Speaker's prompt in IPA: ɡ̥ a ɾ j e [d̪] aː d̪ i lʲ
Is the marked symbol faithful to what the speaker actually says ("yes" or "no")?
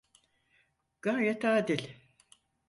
no